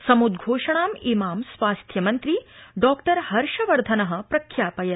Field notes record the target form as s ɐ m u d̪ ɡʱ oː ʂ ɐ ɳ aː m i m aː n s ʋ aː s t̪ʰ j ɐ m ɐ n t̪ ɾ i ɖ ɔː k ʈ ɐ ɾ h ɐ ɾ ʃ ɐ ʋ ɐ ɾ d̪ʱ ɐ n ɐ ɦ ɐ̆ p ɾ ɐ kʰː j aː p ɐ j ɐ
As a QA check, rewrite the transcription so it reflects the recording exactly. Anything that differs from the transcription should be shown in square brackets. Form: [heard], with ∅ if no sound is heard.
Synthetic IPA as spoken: s ɐ m u d̪ ɡʱ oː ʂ ɐ ɳ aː m i m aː [m] s ʋ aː s t̪ʰ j ɐ m ɐ n t̪ ɾ i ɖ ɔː k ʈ ɐ ɾ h ɐ ɾ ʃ ɐ ʋ ɐ ɾ d̪ʱ ɐ n ɐ ɦ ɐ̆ p ɾ ɐ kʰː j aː p ɐ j ɐ

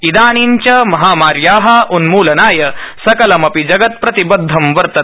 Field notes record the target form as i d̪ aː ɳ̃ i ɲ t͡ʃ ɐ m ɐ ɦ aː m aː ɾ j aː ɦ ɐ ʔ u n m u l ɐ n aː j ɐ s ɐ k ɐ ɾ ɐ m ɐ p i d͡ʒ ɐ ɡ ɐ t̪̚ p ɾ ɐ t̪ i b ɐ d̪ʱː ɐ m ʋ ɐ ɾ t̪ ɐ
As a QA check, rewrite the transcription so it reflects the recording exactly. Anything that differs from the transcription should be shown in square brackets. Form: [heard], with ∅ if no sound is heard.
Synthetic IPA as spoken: i d̪ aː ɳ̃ i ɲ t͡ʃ ɐ m ɐ ɦ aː m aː ɾ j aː ɦ ɐ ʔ u n m [uː] l ɐ n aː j ɐ s ɐ k ɐ [l] ɐ m ɐ p i d͡ʒ ɐ ɡ ɐ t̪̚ p ɾ ɐ t̪ i b ɐ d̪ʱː ɐ m ʋ ɐ ɾ t̪ ɐ

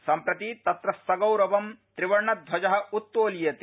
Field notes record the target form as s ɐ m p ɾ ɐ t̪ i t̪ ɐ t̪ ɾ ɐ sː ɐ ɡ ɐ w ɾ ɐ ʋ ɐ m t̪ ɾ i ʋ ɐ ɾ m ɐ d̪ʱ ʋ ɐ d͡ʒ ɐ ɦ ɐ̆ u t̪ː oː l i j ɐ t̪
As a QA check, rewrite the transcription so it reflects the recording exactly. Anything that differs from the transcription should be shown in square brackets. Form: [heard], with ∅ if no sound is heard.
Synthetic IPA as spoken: s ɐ m p ɾ ɐ t̪ i t̪ ɐ t̪ ɾ ɐ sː ɐ ɡ ɐ w ɾ ɐ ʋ ɐ m t̪ ɾ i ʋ ɐ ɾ [ɳ] ɐ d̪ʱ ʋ ɐ d͡ʒ ɐ ɦ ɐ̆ u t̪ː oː l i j ɐ t̪

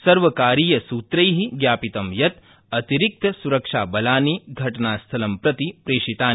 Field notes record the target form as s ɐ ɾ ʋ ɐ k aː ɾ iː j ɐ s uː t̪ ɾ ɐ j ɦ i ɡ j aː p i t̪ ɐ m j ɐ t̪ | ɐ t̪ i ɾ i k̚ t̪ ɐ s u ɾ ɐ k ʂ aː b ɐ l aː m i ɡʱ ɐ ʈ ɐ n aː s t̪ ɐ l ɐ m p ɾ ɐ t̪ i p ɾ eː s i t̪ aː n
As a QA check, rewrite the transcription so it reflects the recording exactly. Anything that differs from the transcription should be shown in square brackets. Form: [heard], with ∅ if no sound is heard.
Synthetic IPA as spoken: s ɐ ɾ ʋ ɐ k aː ɾ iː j ɐ s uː t̪ ɾ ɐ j ɦ i ɡ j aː p i t̪ ɐ m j ɐ t̪ | ɐ t̪ i ɾ i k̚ t̪ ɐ s u ɾ ɐ k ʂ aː b ɐ l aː [n] i ɡʱ ɐ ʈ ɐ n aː s [t̪ʰ] ɐ l ɐ m p ɾ ɐ t̪ i p ɾ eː [ʂ] i t̪ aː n

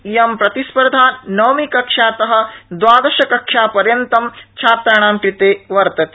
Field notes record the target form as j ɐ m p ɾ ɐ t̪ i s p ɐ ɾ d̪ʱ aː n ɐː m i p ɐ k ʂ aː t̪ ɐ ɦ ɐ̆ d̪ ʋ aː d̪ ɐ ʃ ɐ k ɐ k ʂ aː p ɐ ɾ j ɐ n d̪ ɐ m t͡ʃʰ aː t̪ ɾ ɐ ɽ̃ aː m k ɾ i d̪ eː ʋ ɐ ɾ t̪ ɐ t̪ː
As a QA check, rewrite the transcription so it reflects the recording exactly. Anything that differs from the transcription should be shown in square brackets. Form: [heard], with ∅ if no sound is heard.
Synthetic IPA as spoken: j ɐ m p ɾ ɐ t̪ i s p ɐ ɾ d̪ʱ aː n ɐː m i [k] ɐ k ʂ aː t̪ ɐ ɦ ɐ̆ d̪ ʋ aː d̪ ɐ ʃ ɐ k ɐ k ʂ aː p ɐ ɾ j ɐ n [t̪] ɐ m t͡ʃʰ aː t̪ ɾ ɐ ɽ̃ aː m k ɾ i [t̪] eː ʋ ɐ ɾ t̪ ɐ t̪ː

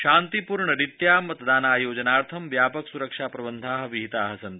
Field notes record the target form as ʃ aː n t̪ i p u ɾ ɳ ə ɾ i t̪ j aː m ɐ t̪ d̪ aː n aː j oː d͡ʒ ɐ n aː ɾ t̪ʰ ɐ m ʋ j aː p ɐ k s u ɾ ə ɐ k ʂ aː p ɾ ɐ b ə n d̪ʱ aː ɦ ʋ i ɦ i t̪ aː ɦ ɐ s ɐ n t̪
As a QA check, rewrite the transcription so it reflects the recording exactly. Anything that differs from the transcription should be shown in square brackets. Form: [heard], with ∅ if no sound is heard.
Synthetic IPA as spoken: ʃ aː n t̪ i p u ɾ ɳ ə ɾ i t̪ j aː m ɐ t̪ d̪ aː n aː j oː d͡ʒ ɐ n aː ɾ t̪ʰ ɐ m ʋ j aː p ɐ k s u ɾ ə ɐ k ʂ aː p ɾ ɐ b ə n d̪ʱ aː ɦ ʋ i ɦ i t̪ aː ɦ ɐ s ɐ n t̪

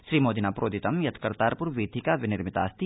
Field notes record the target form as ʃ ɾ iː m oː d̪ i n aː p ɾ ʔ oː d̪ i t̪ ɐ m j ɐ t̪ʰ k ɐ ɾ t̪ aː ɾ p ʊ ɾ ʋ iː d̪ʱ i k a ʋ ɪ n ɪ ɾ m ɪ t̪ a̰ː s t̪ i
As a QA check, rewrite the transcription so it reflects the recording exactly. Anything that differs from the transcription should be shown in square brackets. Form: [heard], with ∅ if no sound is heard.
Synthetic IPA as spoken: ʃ ɾ iː m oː d̪ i n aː p ɾ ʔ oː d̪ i t̪ ɐ m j ɐ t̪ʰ k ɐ ɾ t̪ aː ɾ p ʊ ɾ ʋ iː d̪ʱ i k a ʋ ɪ n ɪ ɾ m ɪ t̪ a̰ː s t̪ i

